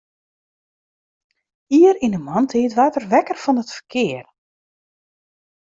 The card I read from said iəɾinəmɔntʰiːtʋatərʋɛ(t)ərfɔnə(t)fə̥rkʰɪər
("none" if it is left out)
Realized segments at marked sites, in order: k, t

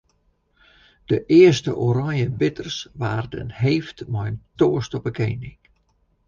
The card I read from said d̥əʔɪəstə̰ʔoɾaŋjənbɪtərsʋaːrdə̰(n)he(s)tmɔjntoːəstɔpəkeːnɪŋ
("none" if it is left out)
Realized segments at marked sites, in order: n, f

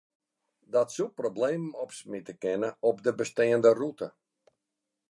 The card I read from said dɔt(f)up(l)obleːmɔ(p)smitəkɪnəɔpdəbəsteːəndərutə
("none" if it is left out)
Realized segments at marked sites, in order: s, r, p

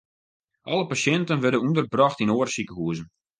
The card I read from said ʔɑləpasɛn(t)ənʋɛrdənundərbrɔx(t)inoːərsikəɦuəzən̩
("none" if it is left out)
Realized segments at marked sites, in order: t, t

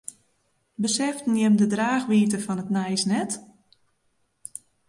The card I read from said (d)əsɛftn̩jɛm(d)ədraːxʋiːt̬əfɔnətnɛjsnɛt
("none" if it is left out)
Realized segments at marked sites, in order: b, d

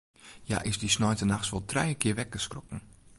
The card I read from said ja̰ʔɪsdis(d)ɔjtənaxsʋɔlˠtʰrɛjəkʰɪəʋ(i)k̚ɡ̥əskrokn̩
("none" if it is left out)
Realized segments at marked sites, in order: n, ɛ

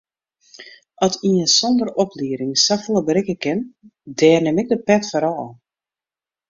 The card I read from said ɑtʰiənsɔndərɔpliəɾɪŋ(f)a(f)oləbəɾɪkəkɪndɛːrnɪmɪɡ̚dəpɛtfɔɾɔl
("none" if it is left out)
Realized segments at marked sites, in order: s, f

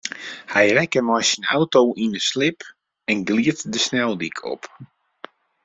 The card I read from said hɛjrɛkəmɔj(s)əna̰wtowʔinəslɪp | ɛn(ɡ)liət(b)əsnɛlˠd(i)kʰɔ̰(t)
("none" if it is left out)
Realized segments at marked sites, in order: s, ɡ, d, i, p

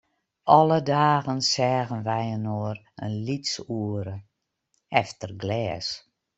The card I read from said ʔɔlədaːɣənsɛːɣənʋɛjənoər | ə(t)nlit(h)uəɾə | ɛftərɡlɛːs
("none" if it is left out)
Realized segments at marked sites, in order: none, s

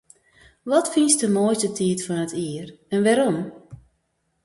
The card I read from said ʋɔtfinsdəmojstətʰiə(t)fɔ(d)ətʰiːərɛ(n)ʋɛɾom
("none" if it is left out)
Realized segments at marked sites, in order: t, n, n

